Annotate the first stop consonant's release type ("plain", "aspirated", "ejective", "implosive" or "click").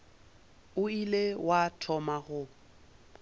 aspirated